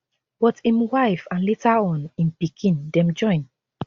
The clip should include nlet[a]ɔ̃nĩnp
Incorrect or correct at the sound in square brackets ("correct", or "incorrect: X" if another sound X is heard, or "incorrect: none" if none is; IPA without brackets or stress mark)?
correct